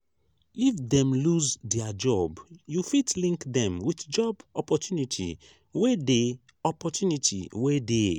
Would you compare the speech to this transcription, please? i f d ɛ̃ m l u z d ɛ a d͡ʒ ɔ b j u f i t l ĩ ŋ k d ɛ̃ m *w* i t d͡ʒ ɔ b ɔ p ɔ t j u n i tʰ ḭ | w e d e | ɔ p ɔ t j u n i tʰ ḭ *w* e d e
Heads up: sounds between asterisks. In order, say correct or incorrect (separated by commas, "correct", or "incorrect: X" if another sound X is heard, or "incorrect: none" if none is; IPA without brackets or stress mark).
correct, correct